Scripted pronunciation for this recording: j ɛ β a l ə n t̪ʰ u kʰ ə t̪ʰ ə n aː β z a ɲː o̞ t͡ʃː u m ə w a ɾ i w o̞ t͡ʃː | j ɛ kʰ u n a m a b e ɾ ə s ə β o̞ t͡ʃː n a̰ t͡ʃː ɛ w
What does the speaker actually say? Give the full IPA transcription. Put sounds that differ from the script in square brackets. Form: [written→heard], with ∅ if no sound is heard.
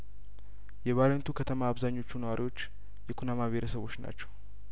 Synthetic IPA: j ɛ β a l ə n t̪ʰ u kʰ ə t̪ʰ ə [n→m] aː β z a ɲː o̞ t͡ʃː u [m→n] ə w a ɾ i w o̞ t͡ʃː | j ɛ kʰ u n a m a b e ɾ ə s ə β o̞ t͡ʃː n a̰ t͡ʃː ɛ w